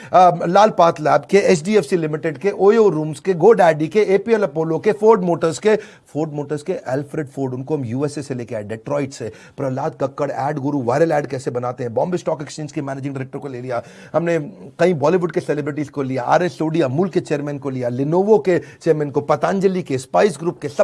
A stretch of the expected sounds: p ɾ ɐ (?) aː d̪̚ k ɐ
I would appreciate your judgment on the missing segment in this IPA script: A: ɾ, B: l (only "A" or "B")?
B